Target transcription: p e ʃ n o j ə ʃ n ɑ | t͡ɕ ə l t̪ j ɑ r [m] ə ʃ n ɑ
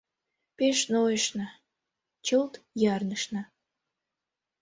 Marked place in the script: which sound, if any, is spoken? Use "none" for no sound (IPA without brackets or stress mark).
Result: n